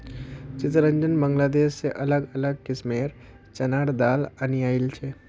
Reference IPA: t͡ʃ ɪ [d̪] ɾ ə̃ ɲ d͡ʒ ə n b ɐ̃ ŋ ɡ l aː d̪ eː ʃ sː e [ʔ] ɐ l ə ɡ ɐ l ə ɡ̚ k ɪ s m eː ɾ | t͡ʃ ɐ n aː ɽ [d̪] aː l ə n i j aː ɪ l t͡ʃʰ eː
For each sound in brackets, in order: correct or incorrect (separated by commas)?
incorrect, correct, correct